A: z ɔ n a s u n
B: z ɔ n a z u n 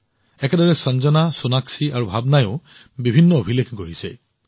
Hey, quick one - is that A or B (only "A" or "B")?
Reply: A